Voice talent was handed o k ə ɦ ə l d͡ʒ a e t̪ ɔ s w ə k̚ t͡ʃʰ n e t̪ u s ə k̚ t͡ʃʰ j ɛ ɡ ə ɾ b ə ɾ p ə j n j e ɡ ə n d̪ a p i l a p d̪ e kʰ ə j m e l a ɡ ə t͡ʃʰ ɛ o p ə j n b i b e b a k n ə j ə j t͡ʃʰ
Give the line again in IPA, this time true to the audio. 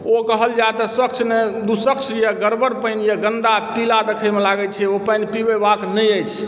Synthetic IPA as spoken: o k ə ɦ ə l d͡ʒ a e t̪ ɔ s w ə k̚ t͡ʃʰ n e d̪ u s ə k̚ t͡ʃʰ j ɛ ɡ ə ɾ b ə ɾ p ə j n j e ɡ ə n d̪ a p i l a d̪ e kʰ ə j m e l a ɡ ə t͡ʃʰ ɛ o p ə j n p i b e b a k n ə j ə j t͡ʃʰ